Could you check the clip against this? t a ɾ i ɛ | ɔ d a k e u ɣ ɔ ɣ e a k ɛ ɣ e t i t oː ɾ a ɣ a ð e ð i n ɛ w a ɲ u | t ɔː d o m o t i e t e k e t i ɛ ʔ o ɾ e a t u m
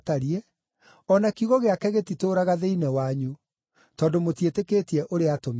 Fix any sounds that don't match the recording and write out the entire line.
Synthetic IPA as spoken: t a ɾ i ɛ | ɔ n a k i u ɣ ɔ ɣ e a k ɛ ɣ e t i t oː ɾ a ɣ a ð e i n ɛ w a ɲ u | t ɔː d o m o t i e t e k e t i ɛ ʔ o ɾ e a t o m